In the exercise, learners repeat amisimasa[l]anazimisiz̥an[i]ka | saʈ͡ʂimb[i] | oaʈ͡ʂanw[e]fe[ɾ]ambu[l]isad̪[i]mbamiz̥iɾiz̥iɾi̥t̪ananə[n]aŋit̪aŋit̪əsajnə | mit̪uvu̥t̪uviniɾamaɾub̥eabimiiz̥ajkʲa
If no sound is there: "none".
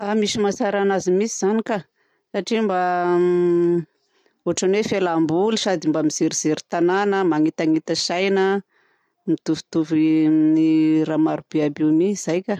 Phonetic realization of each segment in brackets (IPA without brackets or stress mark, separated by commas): ɾ, i, a, e, l, l, i, m